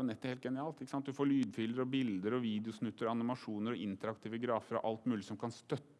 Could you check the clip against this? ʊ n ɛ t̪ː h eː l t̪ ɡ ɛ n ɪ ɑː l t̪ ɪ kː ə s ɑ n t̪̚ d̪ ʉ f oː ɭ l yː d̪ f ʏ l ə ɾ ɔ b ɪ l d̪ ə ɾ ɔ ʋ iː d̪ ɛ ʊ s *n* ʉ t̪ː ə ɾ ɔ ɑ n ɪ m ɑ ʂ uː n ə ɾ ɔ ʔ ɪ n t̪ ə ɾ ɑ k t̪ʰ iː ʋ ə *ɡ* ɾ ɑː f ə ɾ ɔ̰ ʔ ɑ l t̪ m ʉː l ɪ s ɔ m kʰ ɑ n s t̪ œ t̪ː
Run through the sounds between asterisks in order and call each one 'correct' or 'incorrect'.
correct, correct

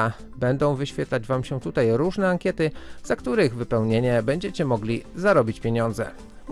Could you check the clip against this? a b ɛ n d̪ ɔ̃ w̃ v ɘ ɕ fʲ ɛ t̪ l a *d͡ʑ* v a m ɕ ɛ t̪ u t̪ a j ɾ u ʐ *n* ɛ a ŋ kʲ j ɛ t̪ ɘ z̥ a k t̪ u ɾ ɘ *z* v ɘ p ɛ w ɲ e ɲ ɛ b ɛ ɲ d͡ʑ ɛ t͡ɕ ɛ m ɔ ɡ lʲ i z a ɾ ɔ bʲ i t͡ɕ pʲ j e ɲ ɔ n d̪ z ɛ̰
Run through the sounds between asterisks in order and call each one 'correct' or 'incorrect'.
correct, correct, incorrect: ɣ

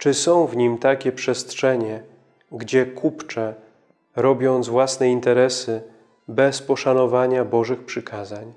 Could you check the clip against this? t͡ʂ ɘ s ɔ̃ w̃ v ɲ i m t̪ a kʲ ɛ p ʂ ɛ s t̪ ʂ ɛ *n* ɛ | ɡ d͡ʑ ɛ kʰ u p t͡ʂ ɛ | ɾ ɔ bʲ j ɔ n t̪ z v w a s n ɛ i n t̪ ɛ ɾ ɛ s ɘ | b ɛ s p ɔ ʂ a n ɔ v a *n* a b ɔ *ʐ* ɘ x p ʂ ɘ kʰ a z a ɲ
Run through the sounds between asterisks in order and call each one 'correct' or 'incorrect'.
incorrect: ɲ, incorrect: ɲ, correct

